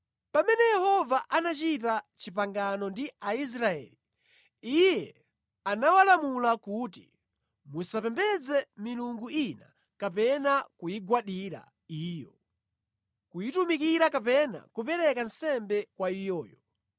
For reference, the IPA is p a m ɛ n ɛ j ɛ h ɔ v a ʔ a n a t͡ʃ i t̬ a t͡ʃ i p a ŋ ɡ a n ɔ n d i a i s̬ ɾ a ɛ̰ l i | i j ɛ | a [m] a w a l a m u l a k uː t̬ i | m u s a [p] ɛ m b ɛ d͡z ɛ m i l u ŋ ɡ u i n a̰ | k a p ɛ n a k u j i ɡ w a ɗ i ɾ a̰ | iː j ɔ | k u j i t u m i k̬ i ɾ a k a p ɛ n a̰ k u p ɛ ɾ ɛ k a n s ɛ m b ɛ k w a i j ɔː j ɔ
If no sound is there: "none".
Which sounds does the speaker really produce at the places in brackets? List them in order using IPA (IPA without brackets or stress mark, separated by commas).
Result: n, p